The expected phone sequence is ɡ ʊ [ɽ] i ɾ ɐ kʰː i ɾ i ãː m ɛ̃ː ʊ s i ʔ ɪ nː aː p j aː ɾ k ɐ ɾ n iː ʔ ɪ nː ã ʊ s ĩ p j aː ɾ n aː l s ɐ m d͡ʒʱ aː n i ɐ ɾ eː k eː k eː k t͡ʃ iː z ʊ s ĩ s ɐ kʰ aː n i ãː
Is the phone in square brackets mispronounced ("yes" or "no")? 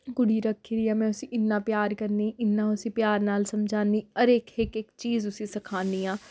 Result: no